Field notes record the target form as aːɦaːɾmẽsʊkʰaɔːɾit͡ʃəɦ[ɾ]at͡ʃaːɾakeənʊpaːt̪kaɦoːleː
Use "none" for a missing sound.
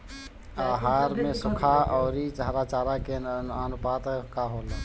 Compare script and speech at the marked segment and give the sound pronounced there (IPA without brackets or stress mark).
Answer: ɾ